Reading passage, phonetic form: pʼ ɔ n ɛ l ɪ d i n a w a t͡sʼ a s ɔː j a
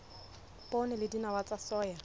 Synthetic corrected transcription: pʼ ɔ n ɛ l ɪ d i n a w a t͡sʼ a s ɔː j a